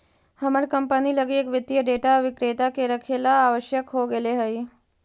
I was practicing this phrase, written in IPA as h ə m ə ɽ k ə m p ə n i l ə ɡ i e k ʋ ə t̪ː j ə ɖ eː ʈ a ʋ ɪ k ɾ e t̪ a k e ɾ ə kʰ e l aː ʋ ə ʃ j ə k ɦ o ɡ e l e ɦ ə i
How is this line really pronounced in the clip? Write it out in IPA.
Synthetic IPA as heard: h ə m ə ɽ k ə m p ə n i l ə ɡ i e k ʋ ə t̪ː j ə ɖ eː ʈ a ʋ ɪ k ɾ e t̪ a k e ɾ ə kʰ e l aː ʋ ə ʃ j ə k ɦ o ɡ e l e ɦ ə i